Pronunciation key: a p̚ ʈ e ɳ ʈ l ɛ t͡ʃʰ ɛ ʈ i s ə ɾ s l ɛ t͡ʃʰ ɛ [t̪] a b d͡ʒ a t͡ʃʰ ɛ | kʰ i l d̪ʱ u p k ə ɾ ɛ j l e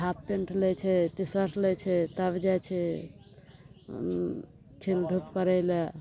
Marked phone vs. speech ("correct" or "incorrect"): correct